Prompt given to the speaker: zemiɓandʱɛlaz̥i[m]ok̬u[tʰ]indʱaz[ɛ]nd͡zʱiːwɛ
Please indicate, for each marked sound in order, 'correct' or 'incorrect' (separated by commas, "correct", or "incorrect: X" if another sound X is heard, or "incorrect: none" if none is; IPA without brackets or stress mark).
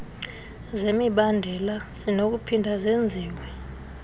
incorrect: n, incorrect: pʰ, incorrect: e